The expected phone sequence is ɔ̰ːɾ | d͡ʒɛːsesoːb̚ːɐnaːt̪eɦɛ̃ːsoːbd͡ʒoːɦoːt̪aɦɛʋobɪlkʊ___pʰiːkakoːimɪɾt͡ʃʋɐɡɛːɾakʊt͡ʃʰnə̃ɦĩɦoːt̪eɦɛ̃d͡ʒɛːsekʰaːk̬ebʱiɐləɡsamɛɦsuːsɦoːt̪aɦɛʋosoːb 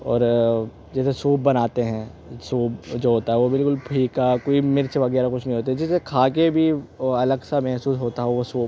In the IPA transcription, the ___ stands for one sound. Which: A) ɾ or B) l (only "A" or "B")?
B